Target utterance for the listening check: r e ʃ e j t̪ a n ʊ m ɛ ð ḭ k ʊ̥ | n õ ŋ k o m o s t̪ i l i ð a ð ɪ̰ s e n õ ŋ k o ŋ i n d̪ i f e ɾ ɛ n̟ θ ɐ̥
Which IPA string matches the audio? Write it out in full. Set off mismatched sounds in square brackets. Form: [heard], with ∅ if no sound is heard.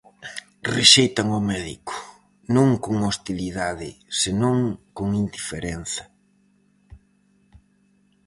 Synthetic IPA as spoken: r e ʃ e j t̪ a [ŋ] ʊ m ɛ ð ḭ k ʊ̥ | n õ ŋ k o [ŋ] o s t̪ i l i ð a ð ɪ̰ s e n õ ŋ k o ŋ i n d̪ i f e ɾ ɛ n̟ θ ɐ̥